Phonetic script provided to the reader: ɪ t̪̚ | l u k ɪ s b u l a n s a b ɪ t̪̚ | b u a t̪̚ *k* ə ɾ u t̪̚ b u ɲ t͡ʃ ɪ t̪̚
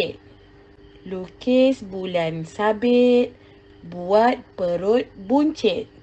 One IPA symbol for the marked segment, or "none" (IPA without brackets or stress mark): p